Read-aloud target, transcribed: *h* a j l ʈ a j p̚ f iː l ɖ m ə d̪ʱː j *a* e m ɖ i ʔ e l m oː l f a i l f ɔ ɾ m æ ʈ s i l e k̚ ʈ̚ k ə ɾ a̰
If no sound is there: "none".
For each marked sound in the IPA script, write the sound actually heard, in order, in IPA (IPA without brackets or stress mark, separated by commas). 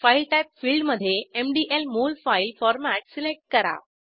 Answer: f, e